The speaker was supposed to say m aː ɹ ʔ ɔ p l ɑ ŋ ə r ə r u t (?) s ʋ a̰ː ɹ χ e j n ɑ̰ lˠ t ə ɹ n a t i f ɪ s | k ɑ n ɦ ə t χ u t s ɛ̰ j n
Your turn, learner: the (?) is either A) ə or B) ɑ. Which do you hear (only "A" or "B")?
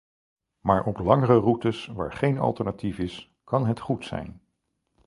A